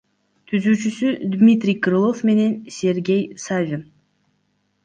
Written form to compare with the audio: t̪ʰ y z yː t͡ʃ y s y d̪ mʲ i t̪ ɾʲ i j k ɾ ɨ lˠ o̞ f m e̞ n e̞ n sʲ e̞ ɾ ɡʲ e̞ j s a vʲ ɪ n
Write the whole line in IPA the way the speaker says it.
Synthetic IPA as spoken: t̪ʰ y z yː t͡ʃ y s y d̪ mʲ i t̪ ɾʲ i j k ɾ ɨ lˠ o̞ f m e̞ n e̞ n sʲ e̞ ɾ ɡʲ e̞ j s a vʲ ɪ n

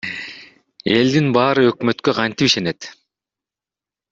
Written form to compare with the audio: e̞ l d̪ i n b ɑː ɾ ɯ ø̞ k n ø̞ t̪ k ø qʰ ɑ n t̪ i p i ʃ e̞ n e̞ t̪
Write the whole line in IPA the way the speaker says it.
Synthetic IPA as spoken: e̞ l d̪ i n b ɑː ɾ ɯ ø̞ k m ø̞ t̪ k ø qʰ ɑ n t̪ i p i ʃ e̞ n e̞ t̪

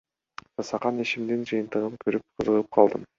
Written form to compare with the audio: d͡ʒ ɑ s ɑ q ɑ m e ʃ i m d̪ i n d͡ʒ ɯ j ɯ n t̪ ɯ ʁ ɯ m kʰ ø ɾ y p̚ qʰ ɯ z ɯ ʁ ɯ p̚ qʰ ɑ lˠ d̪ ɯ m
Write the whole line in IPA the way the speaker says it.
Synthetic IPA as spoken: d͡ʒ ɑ s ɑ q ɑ n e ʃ i m d̪ i n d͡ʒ ɯ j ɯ n t̪ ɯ ʁ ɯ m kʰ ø ɾ y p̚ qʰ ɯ z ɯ ʁ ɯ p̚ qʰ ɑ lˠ d̪ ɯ m

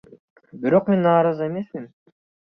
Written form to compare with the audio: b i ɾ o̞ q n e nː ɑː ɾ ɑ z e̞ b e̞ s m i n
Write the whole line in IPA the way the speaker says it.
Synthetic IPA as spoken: b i ɾ o̞ q m e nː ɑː ɾ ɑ z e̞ m e̞ s m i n

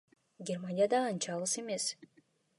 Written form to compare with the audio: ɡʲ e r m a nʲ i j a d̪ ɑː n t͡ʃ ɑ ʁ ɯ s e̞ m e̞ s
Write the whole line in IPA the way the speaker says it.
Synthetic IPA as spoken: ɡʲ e r m a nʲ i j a d̪ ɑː n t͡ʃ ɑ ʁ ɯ s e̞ m e̞ s

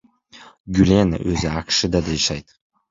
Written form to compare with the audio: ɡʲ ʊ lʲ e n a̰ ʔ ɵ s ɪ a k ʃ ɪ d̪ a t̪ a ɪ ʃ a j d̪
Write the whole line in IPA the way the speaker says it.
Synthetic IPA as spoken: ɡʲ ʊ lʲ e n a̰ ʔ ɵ z ɪ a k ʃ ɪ d̪ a d̪ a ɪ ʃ a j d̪

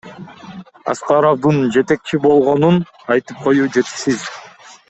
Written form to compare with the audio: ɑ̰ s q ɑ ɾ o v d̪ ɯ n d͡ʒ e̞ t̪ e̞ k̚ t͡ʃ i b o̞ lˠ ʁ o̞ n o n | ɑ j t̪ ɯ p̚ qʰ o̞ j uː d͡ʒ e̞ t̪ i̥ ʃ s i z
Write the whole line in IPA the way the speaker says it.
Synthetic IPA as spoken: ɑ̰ s q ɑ ɾ o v d̪ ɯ n d͡ʒ e̞ t̪ e̞ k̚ t͡ʃ i b o̞ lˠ ʁ o̞ n u n | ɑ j t̪ ɯ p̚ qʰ o̞ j uː d͡ʒ e̞ t̪ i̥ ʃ s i z

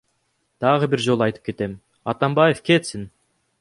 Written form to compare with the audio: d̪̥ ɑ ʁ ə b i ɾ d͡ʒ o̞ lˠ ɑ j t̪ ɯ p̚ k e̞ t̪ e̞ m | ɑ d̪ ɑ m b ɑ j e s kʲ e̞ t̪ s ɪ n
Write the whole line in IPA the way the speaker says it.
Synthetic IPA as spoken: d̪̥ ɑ ʁ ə b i ɾ d͡ʒ o̞ lˠ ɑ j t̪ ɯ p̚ k e̞ t̪ e̞ m | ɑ t̪ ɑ m b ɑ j e f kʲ e̞ t̪ s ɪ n

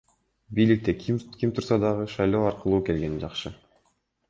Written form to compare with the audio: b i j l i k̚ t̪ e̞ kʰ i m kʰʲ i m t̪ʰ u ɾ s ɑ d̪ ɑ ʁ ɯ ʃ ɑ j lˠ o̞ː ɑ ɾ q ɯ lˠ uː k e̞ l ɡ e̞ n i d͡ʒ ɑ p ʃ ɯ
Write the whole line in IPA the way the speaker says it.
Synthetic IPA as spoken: b i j l i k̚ t̪ e̞ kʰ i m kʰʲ i m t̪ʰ u ɾ s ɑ d̪ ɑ ʁ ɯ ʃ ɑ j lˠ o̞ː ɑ ɾ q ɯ lˠ uː k e̞ l ɡ e̞ n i d͡ʒ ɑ q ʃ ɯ

